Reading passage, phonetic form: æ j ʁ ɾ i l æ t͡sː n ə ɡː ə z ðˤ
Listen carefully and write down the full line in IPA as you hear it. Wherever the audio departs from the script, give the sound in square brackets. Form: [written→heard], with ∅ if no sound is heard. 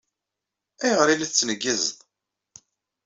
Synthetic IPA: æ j ʁ ɾ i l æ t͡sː n ə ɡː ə z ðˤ

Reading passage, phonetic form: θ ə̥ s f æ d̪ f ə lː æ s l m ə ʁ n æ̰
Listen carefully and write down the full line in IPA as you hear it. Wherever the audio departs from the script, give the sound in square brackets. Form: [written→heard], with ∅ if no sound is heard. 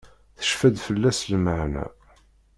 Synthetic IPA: θ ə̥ [s→ʃ] f æ d̪ f ə lː æ s l m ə [ʁ→ʕ] n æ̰

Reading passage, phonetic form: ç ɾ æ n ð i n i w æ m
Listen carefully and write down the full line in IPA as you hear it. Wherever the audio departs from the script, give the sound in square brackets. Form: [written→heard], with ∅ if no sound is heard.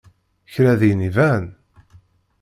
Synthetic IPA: ç ɾ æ [n→∅] ð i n i [w→v] æ [m→n]

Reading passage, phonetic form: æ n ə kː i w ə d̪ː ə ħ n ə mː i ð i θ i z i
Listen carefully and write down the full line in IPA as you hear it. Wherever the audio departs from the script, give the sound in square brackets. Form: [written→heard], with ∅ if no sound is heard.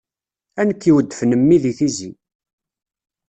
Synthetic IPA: æ n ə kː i w ə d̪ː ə [ħ→f] n ə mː i ð i θ i z i

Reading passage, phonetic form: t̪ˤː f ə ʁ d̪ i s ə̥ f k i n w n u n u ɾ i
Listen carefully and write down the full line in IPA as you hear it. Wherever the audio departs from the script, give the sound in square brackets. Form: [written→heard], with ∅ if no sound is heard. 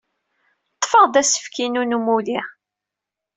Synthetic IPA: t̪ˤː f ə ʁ d̪ [i→æ] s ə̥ f k i n [w→u] n u [n→m] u [ɾ→l] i

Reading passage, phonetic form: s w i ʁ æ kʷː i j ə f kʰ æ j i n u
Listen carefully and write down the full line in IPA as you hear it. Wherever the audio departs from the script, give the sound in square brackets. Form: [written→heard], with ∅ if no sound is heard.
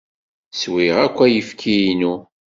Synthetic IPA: s w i ʁ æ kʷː [i→æ] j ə f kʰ [æ→i] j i n u

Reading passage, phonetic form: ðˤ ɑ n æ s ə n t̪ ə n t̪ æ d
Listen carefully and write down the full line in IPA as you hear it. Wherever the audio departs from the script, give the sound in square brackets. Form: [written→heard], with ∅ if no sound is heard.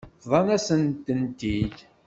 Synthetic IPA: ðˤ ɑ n æ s ə n t̪ ə n t̪ [æ→i] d

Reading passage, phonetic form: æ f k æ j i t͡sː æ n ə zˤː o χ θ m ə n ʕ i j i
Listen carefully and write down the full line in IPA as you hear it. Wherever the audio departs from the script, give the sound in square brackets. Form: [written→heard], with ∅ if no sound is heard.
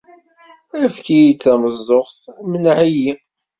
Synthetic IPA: æ f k [æ→i] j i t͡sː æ [n→m] ə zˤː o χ θ m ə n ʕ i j i

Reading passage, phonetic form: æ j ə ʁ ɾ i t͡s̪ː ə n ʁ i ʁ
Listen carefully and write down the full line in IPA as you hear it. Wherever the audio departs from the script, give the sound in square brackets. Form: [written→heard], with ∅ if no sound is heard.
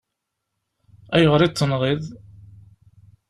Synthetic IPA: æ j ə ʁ ɾ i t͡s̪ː ə n ʁ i [ʁ→ð]

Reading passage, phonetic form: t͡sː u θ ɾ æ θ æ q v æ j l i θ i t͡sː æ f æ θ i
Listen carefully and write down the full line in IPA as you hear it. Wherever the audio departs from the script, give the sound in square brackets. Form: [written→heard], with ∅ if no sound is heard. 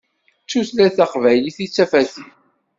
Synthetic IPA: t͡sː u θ [ɾ→l] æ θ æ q v æ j l i θ i t͡sː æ f æ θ i

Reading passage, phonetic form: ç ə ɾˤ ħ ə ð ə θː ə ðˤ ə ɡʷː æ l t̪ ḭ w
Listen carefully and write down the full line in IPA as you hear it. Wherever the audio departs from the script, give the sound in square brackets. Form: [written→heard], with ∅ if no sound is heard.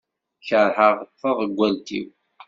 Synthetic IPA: ç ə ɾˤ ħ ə [ð→ʁ] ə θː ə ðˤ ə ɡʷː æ l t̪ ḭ w

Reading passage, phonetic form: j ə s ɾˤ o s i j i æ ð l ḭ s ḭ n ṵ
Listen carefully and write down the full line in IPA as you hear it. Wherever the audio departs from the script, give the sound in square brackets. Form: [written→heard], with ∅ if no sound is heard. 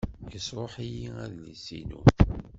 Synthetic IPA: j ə s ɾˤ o [s→ħ] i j i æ ð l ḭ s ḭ n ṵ

